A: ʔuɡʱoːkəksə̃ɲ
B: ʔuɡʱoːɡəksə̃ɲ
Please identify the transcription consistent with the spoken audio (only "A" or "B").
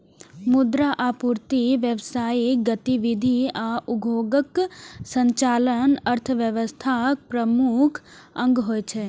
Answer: B